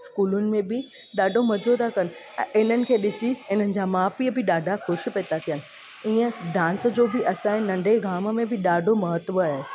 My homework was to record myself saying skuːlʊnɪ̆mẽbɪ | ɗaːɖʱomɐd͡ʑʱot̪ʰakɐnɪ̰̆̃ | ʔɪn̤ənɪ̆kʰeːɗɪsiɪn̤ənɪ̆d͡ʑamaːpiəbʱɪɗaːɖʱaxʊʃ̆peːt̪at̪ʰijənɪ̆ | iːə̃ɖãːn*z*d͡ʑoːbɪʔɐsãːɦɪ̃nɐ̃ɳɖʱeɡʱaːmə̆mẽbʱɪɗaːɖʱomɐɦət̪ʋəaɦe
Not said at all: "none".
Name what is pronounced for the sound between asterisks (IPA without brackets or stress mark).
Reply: s